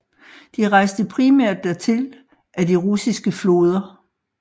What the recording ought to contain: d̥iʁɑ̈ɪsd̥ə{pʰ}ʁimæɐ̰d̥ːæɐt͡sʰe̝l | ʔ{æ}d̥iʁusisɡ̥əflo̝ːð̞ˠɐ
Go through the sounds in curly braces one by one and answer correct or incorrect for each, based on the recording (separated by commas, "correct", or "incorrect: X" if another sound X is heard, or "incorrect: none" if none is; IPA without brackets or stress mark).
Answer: correct, correct